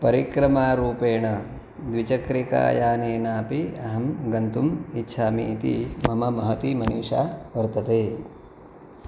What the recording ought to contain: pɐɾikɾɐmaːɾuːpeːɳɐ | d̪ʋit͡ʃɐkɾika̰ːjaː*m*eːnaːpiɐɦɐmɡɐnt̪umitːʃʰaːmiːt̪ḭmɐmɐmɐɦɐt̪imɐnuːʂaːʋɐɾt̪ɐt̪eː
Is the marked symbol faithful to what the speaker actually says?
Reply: no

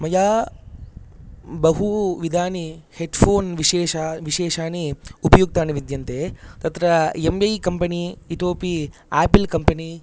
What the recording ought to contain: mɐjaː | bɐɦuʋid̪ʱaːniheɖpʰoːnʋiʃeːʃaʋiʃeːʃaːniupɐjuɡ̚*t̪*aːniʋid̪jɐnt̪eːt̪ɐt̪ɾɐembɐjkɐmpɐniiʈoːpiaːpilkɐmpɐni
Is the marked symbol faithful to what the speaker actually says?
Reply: yes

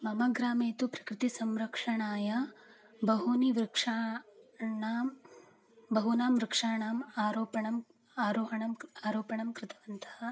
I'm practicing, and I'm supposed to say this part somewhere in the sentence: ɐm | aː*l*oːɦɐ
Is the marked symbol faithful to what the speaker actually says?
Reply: no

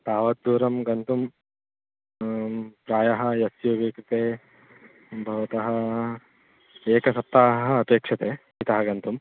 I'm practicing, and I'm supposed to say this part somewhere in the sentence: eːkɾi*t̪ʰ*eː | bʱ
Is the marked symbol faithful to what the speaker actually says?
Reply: no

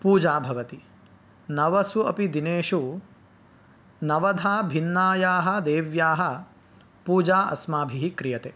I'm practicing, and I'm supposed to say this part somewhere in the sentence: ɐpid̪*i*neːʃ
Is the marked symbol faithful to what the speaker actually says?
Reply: yes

